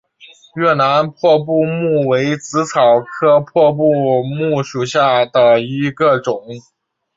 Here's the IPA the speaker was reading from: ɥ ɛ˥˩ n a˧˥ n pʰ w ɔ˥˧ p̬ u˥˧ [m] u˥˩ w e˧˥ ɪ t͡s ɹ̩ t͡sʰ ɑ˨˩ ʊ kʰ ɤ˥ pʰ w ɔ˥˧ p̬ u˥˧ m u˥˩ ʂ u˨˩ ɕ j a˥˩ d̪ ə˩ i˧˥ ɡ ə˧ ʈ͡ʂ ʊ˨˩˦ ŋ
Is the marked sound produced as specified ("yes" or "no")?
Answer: yes